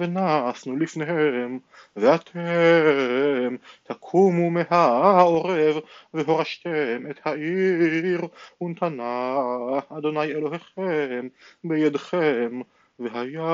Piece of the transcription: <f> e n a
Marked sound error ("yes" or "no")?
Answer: yes